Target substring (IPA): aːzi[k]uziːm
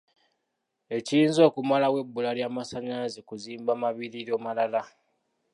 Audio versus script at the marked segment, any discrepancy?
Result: no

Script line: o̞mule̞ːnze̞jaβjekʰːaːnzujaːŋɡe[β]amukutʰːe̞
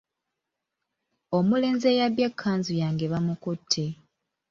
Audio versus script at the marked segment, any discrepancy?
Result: no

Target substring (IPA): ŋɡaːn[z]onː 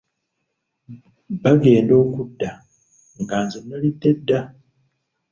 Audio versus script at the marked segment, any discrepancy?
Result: no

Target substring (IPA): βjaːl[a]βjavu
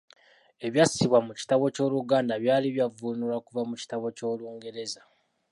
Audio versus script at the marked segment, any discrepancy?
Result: yes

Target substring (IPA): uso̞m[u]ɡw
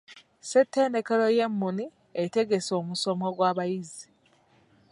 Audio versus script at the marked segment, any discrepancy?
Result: yes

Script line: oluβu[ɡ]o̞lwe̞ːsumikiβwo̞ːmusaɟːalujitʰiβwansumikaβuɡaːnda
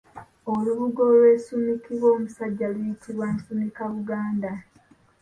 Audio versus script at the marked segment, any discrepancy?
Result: no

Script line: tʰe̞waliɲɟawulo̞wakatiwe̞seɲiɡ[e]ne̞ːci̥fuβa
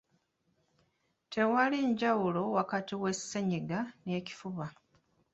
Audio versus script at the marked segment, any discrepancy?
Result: yes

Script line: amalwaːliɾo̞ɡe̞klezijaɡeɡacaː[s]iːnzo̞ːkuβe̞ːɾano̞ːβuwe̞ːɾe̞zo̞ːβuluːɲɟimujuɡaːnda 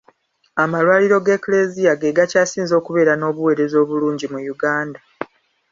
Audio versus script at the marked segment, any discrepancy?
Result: no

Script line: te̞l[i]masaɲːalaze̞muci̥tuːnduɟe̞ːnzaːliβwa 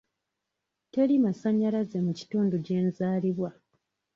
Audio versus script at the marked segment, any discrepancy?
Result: no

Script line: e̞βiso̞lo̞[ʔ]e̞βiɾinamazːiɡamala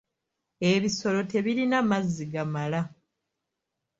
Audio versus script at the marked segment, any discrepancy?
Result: yes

